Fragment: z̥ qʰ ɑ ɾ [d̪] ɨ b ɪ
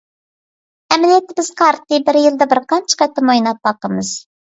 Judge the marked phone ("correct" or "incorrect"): incorrect